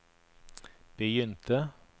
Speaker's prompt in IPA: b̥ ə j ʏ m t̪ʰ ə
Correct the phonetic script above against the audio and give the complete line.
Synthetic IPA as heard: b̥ ə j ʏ n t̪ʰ ə